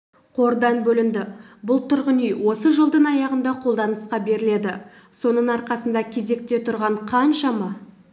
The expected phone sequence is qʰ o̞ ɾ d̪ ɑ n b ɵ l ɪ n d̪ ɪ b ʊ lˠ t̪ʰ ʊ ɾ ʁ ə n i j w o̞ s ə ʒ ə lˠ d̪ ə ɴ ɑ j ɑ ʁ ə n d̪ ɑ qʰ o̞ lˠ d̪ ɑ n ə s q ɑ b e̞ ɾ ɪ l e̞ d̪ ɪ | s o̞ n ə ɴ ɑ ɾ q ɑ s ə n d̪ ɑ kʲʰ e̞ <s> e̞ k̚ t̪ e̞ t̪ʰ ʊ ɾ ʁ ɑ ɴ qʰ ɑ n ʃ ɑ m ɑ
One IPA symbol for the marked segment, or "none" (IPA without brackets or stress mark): z